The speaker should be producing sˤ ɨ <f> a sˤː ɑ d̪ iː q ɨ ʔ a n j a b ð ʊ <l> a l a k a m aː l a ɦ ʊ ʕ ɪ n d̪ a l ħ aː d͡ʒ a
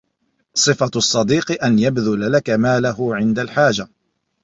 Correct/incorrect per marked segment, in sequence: correct, correct

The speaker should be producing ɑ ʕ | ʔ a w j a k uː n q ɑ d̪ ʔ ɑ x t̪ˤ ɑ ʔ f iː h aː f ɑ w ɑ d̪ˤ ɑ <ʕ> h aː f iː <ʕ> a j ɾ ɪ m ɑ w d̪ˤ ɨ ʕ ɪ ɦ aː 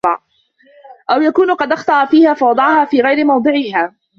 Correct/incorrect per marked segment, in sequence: correct, incorrect: ɣ

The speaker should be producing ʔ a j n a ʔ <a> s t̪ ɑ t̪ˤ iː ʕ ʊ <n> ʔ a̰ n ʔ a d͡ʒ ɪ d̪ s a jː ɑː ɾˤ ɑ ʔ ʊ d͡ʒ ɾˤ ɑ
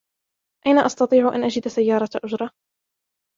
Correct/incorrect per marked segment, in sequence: incorrect: ɑ, incorrect: none

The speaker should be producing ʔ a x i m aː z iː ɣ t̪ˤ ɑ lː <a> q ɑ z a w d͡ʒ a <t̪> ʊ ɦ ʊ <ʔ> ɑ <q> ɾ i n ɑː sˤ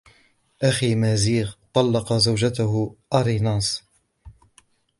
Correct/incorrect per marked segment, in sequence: incorrect: ɑ, correct, correct, incorrect: none

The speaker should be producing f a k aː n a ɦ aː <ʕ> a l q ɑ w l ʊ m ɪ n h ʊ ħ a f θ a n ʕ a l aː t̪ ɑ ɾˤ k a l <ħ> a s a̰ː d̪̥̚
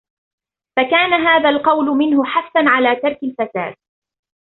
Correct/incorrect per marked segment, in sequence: incorrect: ð, incorrect: f

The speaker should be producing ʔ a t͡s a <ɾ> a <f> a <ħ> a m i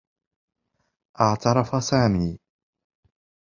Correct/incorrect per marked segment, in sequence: correct, correct, incorrect: s

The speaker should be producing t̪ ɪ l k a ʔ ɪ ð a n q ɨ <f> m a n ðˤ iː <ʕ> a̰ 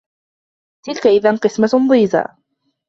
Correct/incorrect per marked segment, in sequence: incorrect: s, incorrect: z

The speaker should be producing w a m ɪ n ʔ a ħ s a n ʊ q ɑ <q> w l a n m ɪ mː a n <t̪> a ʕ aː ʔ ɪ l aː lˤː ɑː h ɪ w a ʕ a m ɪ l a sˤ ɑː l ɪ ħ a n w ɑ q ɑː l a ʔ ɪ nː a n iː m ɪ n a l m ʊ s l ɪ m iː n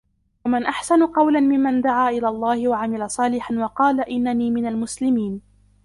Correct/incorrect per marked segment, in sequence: incorrect: none, incorrect: d̪

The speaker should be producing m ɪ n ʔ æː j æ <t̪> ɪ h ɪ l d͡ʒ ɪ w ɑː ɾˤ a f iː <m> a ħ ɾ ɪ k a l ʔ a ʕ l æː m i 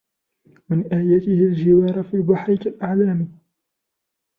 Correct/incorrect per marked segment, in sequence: correct, incorrect: b

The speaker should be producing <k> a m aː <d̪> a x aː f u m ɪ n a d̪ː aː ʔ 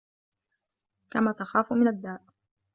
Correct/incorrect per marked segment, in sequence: correct, incorrect: t̪

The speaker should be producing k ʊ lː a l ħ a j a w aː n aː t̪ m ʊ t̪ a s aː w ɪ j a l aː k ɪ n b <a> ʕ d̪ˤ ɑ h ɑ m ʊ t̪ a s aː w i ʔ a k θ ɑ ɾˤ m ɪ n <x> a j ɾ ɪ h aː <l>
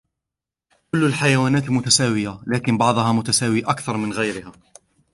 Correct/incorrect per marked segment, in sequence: incorrect: ɑ, incorrect: ɣ, incorrect: none

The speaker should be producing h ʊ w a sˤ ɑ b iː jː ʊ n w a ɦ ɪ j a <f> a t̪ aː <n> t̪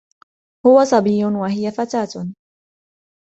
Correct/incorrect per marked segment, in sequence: correct, incorrect: none

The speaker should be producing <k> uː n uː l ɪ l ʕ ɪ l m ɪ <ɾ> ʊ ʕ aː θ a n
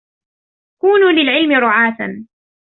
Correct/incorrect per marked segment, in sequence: correct, correct

